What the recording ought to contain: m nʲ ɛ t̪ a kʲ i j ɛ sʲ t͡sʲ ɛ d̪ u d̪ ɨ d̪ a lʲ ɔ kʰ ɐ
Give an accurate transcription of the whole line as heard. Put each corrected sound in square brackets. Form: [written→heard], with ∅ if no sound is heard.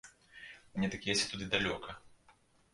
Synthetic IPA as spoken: m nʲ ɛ t̪ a kʲ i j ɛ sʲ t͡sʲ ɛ [d̪→t̪] u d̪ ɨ d̪ a lʲ ɔ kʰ ɐ